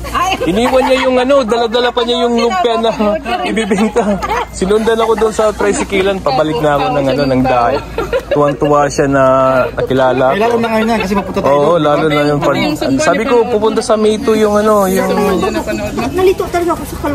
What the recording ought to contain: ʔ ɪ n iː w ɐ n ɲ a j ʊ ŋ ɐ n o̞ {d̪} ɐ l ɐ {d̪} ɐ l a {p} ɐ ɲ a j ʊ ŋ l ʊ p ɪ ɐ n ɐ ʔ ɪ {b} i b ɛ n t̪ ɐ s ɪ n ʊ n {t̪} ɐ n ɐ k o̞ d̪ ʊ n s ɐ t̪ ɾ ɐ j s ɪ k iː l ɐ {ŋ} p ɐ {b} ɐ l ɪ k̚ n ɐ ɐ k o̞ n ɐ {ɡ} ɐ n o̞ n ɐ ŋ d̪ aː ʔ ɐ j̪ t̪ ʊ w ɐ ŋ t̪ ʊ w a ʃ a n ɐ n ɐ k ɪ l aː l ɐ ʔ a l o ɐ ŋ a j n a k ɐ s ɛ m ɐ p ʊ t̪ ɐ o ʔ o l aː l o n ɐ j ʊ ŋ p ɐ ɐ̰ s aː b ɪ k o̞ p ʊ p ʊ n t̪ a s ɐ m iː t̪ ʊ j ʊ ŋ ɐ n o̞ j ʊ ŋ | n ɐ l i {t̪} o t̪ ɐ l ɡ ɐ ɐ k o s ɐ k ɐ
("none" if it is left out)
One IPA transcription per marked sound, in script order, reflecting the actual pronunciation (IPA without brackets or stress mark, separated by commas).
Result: d̪, d̪, p, b, d̪, n, b, ŋ, t̪